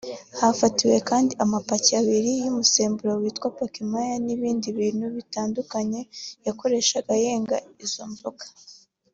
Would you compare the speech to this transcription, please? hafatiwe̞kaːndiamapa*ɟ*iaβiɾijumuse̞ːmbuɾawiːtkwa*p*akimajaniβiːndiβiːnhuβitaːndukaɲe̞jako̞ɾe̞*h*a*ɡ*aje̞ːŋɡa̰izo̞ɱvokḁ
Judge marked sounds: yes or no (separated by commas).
no, yes, no, yes